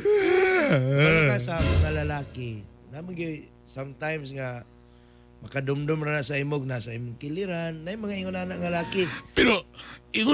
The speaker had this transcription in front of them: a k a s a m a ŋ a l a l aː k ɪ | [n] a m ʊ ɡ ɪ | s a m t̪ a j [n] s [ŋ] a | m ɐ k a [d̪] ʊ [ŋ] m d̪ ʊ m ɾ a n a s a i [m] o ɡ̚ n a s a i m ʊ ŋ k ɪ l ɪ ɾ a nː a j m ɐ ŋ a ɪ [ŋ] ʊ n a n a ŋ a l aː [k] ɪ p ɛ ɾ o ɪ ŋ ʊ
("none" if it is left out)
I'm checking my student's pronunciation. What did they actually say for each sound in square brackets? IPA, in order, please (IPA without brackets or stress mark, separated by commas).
n, m, ŋ, d̪, none, m, ŋ, k